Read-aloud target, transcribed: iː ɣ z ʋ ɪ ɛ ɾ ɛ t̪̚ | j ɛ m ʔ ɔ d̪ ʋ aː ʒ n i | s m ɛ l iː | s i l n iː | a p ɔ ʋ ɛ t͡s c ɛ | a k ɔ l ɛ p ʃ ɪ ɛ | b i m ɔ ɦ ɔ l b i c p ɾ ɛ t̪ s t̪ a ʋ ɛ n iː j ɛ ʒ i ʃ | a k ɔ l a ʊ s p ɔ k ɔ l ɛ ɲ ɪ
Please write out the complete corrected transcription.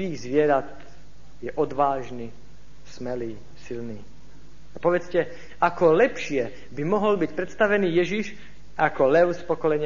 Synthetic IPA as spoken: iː ɣ z ʋ ɪ ɛ ɾ a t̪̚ | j ɛ ʔ ɔ d̪ ʋ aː ʒ n i | s m ɛ l iː | s i l n iː | a p ɔ ʋ ɛ t͡s c ɛ | a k ɔ l ɛ p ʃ ɪ ɛ | b i m ɔ ɦ ɔ l b i c p ɾ ɛ t̪ s t̪ a ʋ ɛ n iː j ɛ ʒ i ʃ | a k ɔ l ɛ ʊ s p ɔ k ɔ l ɛ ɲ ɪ